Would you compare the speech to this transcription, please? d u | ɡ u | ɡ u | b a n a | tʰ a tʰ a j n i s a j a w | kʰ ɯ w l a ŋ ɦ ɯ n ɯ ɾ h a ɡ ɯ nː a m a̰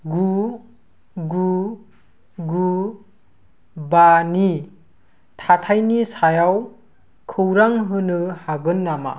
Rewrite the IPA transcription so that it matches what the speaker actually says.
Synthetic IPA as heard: ɡ u | ɡ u | ɡ u | b a n i | tʰ a tʰ a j n i s a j a w | kʰ ɯ w ɾ a ŋ ɦ ɯ n ɯ h a ɡ ɯ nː a m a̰